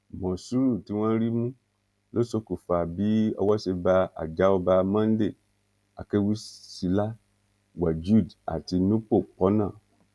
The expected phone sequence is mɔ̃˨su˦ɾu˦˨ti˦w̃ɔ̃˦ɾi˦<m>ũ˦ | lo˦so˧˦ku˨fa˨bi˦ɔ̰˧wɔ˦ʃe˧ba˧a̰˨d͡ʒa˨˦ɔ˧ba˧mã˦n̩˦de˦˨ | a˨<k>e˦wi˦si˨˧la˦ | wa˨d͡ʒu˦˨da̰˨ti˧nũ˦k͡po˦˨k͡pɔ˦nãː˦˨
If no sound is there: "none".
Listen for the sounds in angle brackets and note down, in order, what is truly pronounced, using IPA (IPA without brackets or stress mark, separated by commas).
m, k